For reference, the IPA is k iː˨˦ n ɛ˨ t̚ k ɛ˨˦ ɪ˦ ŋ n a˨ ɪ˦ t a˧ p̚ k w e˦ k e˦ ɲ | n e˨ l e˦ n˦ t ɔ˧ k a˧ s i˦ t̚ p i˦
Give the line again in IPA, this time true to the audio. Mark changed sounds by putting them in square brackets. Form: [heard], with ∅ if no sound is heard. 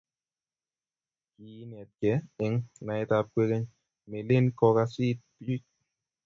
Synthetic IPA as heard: k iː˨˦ n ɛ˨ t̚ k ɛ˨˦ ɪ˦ ŋ n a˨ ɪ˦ t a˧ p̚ k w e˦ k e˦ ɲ | [m] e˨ l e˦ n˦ [k] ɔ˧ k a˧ s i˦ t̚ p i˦